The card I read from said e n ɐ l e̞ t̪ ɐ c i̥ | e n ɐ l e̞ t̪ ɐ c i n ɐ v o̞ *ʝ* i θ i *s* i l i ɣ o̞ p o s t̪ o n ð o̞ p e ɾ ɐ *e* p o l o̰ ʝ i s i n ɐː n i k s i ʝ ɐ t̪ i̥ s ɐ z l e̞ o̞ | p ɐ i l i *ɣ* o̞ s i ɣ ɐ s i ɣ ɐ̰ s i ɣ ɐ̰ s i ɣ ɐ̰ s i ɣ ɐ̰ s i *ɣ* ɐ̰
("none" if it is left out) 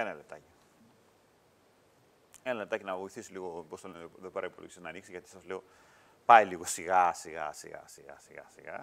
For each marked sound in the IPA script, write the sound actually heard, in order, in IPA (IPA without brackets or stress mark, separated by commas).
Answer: none, s, i, ɣ, ɣ